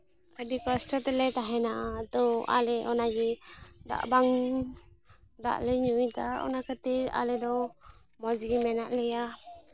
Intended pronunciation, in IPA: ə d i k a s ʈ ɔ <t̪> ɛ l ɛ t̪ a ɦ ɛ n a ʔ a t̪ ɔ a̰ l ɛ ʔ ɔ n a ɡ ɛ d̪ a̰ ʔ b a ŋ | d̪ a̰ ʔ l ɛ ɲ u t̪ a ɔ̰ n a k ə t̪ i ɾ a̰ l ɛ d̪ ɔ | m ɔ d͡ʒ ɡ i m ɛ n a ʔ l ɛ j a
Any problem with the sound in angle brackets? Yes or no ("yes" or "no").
no